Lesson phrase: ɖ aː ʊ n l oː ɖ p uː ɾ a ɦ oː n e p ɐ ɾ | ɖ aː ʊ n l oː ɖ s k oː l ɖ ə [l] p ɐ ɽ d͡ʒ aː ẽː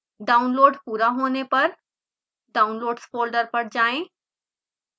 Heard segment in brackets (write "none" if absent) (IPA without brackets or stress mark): ɾ